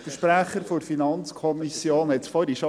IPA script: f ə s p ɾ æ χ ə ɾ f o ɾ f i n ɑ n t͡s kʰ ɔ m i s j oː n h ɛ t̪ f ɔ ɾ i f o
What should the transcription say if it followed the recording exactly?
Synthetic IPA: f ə ʃ p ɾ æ χ ə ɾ f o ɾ f i n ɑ n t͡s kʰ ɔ m i s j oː n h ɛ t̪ f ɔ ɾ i ʃ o